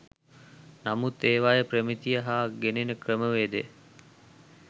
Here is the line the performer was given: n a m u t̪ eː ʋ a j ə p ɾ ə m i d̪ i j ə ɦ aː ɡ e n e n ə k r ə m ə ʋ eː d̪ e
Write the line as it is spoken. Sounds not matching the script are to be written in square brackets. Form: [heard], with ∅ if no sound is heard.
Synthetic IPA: n a m u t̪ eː ʋ a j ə p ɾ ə m i [t̪] i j ə ɦ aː ɡ e n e n ə k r ə m ə ʋ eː d̪ e